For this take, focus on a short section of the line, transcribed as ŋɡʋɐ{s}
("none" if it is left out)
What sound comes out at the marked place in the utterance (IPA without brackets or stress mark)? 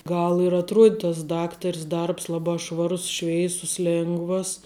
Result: s